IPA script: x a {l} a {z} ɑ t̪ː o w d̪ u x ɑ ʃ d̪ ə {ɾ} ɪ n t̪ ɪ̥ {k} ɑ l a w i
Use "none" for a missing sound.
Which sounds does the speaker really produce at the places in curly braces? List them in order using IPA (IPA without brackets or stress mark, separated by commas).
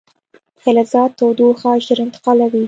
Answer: l, z, ɾ, q